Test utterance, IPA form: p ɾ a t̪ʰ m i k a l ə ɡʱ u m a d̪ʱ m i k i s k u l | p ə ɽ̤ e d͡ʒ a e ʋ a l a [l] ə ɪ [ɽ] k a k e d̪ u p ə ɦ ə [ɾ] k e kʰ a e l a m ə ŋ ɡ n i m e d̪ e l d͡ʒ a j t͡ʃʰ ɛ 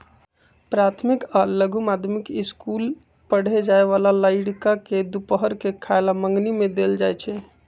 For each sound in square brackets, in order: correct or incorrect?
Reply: correct, correct, correct

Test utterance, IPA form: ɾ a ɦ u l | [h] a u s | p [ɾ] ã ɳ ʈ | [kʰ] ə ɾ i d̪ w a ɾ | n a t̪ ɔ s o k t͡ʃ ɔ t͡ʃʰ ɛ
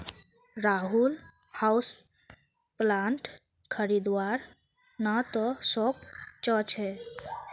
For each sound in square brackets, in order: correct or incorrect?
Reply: correct, incorrect: l, correct

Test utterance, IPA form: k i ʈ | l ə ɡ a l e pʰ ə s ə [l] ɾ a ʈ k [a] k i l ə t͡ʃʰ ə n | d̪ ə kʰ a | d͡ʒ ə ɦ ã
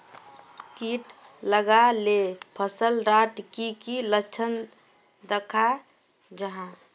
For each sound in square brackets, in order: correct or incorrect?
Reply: correct, incorrect: i

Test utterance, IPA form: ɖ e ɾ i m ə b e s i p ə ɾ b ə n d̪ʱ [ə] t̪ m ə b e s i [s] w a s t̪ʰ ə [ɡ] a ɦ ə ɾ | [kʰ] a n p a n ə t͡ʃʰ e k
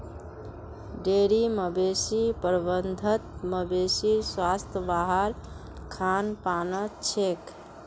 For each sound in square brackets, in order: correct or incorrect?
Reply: correct, correct, incorrect: b, correct

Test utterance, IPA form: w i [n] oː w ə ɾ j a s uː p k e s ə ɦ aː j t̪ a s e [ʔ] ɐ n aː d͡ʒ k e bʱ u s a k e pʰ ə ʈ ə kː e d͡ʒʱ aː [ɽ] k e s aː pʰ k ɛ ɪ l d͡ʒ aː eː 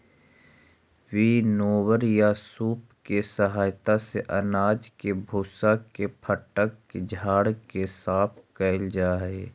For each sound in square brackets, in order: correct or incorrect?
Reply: correct, correct, correct

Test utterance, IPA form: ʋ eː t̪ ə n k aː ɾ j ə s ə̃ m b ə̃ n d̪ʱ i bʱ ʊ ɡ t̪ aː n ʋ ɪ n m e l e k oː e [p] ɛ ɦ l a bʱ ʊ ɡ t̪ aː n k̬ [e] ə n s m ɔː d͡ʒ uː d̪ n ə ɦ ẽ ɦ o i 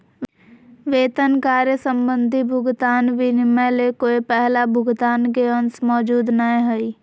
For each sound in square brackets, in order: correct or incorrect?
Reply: correct, correct

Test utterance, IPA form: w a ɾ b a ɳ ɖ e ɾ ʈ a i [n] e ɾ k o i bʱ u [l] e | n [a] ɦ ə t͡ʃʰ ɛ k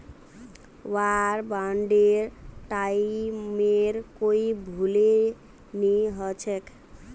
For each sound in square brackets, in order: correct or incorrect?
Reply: incorrect: m, correct, incorrect: i

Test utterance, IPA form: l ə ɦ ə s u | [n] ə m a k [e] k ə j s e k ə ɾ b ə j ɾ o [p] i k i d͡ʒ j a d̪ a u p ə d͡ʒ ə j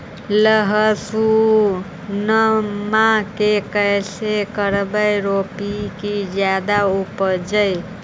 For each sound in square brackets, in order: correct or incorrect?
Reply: correct, correct, correct

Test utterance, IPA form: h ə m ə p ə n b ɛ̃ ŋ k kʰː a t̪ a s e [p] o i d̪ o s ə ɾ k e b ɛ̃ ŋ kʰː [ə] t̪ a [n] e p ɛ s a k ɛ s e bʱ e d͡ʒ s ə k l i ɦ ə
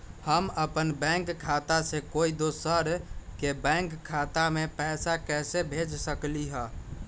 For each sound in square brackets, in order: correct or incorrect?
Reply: incorrect: k, incorrect: a, incorrect: m

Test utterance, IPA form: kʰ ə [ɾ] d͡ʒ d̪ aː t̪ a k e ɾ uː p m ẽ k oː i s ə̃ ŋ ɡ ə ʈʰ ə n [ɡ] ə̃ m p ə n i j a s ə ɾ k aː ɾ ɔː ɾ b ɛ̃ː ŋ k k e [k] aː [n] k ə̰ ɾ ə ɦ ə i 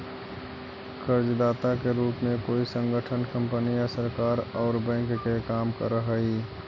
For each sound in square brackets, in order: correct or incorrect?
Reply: correct, incorrect: k, correct, incorrect: m

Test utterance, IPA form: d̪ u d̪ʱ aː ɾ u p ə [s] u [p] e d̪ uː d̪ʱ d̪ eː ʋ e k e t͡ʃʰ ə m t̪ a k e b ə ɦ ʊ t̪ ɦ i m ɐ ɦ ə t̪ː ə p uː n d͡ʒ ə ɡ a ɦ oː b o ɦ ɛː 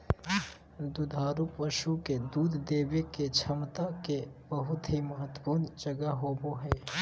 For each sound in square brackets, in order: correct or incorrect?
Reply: incorrect: ʃ, incorrect: k

